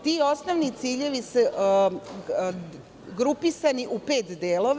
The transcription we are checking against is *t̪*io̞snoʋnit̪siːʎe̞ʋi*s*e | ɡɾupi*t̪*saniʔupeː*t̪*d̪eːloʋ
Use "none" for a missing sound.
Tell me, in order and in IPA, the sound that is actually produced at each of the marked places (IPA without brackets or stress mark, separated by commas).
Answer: t̪, s, none, t̪